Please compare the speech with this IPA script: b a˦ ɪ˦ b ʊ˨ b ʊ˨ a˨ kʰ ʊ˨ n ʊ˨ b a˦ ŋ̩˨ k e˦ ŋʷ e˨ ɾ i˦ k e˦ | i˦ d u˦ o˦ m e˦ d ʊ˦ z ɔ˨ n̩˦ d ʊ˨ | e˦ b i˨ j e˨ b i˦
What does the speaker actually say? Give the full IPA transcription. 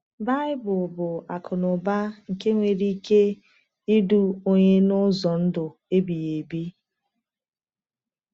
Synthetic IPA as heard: b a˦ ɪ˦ b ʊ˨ b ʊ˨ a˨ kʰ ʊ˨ n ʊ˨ b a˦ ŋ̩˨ k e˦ ŋʷ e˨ ɾ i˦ k e˦ | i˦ d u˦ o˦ ɲ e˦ n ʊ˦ z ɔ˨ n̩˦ d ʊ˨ | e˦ b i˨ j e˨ b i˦